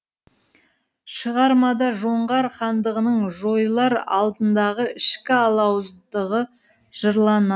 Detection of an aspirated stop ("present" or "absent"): absent